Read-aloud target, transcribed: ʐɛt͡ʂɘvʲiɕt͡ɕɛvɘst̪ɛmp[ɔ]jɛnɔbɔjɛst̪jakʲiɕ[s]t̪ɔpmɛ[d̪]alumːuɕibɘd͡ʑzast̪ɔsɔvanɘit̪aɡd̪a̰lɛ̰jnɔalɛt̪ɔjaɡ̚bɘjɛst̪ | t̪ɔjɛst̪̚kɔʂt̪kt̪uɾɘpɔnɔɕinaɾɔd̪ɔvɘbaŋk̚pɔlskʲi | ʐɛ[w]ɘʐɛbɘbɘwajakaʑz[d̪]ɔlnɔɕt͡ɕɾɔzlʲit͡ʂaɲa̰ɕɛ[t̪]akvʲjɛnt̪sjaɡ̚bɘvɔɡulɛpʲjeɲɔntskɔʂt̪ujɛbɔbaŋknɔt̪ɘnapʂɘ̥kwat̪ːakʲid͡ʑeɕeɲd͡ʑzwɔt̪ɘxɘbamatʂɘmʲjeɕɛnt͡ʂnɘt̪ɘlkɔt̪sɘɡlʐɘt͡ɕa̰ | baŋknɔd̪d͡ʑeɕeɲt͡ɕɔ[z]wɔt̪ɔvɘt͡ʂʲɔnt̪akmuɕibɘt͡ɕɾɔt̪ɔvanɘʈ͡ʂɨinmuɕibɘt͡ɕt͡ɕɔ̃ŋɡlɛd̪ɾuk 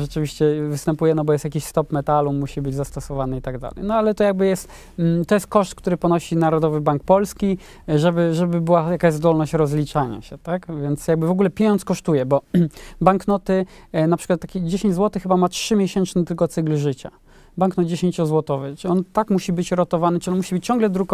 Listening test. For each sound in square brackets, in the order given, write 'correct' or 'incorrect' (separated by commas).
incorrect, correct, incorrect, incorrect, correct, correct, correct